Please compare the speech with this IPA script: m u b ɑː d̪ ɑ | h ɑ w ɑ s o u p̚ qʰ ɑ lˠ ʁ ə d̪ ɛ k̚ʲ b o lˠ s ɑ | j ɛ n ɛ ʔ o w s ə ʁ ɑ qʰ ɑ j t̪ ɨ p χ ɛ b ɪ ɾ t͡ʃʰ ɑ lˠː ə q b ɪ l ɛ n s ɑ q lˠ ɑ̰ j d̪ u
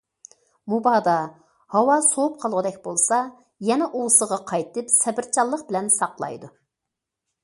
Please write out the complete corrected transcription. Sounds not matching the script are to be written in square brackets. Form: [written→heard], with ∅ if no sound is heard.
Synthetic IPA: m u b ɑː d̪ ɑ | h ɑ w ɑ s o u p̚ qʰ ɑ lˠ ʁ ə d̪ ɛ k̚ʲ b o lˠ s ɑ | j ɛ n ɛ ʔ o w s ə ʁ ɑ qʰ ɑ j t̪ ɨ p [χ→s] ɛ b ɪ ɾ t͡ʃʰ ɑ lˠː ə q b ɪ l ɛ n s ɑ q lˠ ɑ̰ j d̪ u